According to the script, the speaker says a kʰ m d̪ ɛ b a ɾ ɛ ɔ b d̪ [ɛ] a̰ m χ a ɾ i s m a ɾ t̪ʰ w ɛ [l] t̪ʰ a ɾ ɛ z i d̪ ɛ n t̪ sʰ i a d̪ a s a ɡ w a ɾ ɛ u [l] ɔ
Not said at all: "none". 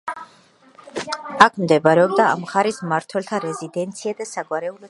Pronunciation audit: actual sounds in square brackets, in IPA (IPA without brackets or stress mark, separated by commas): a, l, l